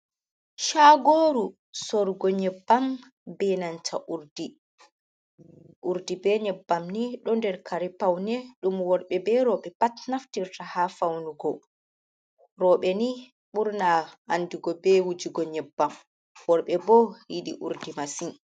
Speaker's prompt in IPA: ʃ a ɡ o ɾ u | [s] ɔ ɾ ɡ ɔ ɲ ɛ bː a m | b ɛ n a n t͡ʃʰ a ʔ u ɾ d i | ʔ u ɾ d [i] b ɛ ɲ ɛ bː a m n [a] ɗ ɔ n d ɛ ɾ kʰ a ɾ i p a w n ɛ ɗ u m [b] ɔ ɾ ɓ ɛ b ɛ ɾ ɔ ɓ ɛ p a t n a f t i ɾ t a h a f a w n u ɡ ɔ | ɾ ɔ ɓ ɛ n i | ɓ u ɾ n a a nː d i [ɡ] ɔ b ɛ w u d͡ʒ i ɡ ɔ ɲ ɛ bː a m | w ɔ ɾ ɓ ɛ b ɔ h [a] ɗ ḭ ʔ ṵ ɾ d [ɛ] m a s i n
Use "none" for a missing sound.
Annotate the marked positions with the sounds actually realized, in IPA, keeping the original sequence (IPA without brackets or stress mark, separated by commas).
s, i, i, w, ɡ, i, i